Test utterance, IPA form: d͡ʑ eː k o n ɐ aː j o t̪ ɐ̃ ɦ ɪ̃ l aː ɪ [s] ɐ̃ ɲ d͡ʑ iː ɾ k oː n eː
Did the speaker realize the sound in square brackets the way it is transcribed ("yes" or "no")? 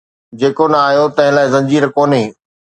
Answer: no